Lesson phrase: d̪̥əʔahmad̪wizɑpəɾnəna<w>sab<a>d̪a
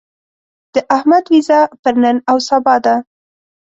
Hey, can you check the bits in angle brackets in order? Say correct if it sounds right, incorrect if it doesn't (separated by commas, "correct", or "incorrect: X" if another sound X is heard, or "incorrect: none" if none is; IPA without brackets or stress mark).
correct, incorrect: ɑ